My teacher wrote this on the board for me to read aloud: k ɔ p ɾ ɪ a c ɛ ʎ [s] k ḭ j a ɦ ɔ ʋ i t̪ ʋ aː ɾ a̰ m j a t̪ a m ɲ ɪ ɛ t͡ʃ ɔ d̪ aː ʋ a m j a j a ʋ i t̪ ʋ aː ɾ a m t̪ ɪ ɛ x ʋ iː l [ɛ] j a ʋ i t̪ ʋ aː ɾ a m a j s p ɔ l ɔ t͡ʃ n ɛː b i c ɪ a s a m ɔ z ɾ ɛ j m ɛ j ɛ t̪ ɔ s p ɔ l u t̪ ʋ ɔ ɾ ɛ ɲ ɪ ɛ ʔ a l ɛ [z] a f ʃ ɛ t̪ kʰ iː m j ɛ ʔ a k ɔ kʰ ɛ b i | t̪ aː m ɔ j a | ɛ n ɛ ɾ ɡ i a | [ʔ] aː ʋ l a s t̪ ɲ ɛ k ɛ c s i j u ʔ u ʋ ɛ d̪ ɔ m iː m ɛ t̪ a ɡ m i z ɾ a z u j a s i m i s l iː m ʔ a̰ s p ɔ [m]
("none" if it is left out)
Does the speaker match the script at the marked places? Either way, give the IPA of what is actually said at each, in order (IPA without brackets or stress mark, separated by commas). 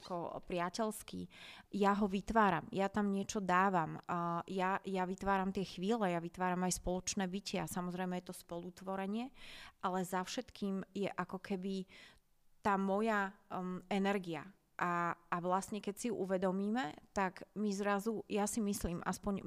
s, ɛ, z, ʔ, ɲ